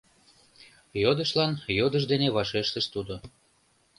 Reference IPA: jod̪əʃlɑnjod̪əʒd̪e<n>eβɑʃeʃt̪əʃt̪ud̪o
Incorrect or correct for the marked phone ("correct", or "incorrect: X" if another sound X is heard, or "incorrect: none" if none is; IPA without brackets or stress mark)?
correct